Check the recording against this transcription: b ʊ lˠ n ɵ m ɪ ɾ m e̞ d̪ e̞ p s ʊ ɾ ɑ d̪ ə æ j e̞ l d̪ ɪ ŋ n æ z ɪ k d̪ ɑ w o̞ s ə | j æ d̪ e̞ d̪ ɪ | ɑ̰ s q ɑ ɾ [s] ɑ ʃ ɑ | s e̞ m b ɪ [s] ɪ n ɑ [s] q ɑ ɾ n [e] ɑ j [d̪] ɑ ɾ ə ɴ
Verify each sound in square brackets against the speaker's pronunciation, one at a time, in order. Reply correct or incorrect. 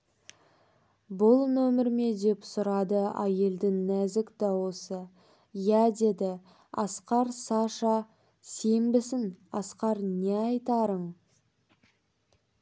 correct, correct, correct, correct, incorrect: t̪

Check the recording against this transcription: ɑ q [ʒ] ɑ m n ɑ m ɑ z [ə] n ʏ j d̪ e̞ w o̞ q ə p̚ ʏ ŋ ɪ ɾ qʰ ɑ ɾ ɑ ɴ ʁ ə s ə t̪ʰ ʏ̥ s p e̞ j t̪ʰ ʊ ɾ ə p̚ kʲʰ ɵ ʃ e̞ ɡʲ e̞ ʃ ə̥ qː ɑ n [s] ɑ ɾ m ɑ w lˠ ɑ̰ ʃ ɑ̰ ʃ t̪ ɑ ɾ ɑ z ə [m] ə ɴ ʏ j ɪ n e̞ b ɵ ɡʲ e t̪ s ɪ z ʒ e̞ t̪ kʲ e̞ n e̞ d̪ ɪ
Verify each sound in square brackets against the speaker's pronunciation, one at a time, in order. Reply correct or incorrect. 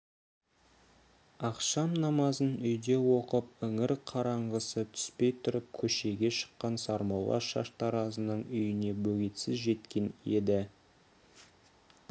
incorrect: ʃ, correct, correct, incorrect: n

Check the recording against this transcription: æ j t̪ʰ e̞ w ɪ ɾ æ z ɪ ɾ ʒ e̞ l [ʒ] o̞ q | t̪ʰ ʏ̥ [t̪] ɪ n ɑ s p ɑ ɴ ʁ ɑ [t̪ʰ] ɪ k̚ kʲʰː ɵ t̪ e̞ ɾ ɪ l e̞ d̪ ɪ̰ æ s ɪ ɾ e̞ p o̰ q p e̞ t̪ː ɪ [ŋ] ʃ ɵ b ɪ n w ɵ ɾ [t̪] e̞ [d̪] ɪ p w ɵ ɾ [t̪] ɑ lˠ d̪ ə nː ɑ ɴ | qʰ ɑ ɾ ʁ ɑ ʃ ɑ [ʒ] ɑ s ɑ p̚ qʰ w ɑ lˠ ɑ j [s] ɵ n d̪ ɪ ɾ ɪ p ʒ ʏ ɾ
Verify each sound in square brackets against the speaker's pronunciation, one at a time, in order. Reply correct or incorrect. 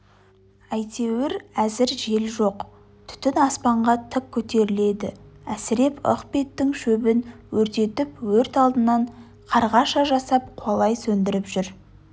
correct, correct, correct, correct, correct, incorrect: t̪, correct, correct, correct

